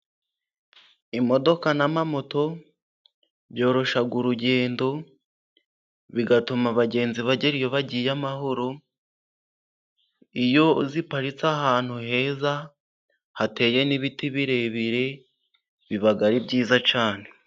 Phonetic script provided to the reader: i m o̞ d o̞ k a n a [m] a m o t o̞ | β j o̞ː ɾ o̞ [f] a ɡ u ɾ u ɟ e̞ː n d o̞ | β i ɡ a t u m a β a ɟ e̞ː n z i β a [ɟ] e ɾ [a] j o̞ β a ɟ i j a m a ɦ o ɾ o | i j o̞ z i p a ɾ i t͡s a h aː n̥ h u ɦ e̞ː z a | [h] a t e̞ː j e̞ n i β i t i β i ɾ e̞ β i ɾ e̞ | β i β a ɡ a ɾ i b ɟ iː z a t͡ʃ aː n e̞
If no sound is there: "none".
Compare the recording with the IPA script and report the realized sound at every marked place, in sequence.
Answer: m, ʃ, ɟ, i, h

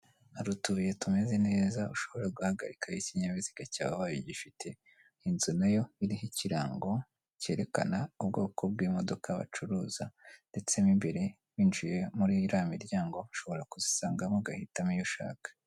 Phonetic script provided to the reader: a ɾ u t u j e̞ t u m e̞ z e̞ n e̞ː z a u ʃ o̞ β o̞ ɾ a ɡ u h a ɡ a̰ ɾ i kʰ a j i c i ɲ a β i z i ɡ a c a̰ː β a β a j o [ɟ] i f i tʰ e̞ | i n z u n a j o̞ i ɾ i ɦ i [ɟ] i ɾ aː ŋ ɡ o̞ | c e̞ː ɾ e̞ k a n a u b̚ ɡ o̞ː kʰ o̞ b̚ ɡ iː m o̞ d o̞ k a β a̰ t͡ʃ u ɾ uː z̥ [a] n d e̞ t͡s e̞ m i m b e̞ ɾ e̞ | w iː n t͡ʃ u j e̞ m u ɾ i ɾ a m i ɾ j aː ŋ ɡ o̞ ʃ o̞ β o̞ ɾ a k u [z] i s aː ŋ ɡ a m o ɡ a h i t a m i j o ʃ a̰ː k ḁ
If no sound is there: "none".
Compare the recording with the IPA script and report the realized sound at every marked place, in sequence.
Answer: ɟ, c, a, z

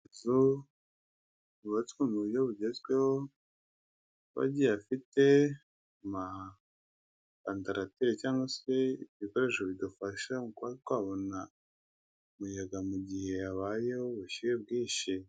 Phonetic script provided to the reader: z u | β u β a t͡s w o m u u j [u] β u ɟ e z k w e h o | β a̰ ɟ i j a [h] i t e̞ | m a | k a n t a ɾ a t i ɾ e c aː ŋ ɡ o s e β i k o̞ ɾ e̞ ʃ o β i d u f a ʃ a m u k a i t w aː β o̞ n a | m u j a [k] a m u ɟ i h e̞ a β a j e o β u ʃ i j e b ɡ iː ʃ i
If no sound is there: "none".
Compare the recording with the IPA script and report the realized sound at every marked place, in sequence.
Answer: o, f, ɡ

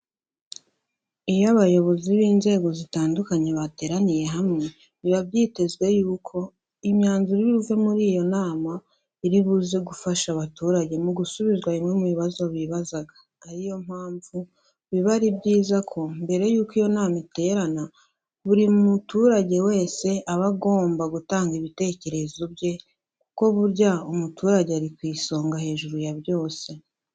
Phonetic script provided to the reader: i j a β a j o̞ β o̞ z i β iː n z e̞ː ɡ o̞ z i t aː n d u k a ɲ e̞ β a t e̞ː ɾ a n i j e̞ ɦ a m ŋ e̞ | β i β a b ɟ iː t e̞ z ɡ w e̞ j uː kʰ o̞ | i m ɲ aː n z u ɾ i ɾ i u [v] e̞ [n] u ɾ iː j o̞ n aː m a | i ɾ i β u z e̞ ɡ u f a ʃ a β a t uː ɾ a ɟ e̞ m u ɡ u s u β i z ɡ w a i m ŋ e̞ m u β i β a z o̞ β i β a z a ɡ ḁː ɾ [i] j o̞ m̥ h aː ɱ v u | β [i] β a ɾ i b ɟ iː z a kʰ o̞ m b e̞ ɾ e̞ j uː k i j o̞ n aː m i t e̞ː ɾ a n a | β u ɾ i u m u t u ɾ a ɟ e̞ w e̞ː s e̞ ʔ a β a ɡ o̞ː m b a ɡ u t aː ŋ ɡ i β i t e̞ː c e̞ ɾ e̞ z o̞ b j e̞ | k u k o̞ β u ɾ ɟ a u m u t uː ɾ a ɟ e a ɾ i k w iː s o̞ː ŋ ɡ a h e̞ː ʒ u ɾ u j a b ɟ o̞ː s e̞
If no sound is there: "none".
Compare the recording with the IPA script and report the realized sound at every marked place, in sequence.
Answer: v, m, i, i

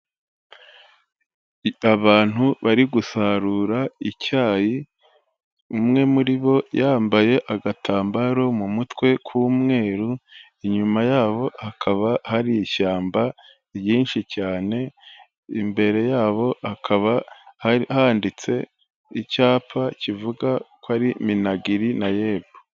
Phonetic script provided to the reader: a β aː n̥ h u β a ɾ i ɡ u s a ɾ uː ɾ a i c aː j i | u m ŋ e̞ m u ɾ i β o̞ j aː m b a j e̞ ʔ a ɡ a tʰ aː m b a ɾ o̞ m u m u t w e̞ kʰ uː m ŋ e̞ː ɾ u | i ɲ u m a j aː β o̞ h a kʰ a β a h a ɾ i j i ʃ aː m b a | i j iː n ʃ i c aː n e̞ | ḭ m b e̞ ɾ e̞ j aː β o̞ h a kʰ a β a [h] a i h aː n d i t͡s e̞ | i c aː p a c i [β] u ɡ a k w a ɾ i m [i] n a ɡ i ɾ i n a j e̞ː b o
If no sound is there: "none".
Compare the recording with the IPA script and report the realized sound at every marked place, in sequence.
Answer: h, v, i

